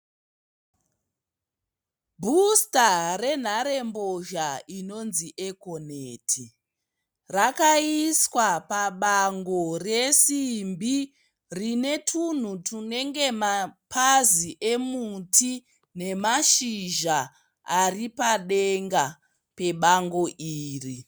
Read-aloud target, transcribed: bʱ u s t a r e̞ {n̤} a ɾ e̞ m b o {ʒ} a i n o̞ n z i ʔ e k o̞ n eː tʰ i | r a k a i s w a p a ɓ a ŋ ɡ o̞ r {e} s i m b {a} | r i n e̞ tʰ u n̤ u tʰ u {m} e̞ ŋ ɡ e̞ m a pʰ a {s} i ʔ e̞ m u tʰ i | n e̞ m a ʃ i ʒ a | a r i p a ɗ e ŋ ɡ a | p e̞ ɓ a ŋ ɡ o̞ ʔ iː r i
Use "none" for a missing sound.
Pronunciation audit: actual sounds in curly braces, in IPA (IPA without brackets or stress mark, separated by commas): n̤, ʒ, e, i, n, z